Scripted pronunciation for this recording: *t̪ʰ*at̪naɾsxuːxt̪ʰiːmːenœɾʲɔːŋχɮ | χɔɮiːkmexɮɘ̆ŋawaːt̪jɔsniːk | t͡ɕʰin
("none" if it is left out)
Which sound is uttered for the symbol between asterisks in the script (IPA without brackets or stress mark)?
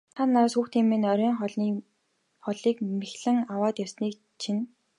t̪ʰ